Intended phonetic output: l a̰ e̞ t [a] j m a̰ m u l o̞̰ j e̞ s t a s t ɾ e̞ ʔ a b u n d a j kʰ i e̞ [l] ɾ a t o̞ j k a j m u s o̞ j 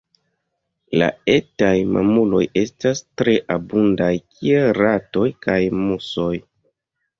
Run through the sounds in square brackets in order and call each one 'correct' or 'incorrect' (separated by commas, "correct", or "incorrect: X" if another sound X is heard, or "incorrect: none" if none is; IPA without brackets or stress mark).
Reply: correct, correct